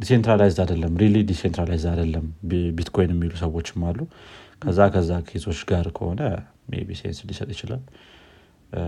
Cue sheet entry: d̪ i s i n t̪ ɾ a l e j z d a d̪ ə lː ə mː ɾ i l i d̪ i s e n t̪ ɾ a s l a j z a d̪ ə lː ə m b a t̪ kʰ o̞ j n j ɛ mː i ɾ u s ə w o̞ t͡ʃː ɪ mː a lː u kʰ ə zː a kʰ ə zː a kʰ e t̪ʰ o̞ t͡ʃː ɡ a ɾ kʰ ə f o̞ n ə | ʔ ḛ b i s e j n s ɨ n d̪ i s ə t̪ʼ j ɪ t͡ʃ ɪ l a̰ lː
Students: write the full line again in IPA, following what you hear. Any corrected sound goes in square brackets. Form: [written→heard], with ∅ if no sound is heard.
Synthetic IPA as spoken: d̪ i s [i→e] n t̪ ɾ a l [e→a] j z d a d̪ ə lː ə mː ɾ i l i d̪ i s e n t̪ ɾ a [s→∅] l a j z a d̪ ə lː ə m b [a→i] t̪ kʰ o̞ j n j ɛ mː i [ɾ→l] u s ə w o̞ t͡ʃː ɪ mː a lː u kʰ ə zː a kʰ ə zː a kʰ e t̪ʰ o̞ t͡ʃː ɡ a ɾ kʰ ə [f→h] o̞ n ə | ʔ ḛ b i s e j n s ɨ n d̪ i s ə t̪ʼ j ɪ t͡ʃ ɪ l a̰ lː